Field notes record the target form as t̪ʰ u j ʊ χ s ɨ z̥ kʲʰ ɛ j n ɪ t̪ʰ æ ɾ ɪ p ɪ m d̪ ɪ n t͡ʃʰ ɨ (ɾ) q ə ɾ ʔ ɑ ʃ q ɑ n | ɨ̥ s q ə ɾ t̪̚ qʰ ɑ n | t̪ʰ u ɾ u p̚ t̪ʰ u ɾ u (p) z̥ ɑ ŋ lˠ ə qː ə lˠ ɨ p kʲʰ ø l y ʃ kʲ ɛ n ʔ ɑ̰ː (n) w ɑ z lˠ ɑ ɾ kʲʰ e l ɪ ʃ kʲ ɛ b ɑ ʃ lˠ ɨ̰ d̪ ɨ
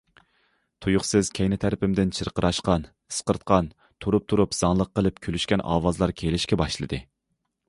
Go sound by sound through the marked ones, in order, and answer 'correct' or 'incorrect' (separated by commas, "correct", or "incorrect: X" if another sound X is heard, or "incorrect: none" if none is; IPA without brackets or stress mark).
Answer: correct, correct, incorrect: none